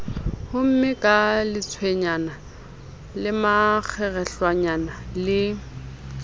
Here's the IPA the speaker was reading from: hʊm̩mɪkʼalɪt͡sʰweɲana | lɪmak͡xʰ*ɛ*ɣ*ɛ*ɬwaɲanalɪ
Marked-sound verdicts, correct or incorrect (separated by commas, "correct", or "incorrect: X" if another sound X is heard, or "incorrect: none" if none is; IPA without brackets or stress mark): correct, correct